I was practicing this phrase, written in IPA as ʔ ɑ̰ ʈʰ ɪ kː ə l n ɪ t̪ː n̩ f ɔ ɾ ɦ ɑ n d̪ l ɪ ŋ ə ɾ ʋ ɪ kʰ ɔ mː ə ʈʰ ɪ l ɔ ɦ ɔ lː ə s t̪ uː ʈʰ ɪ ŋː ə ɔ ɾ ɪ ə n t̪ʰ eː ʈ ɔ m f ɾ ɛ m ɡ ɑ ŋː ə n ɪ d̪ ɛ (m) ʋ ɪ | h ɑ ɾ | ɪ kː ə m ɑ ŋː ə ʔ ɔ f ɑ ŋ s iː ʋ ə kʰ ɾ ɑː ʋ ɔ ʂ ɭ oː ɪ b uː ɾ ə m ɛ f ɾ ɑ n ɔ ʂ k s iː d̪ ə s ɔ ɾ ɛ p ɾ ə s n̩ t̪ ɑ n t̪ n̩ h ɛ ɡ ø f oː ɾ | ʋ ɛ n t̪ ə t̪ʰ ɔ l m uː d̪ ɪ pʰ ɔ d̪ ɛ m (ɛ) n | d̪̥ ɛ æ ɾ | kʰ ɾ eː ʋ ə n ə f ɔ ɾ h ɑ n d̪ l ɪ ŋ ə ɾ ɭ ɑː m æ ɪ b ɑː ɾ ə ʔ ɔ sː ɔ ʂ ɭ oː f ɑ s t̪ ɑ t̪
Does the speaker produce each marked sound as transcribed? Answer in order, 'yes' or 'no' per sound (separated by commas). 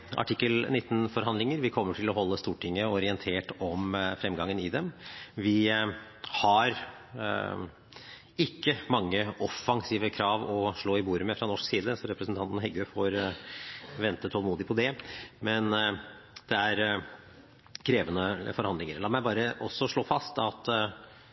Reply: yes, yes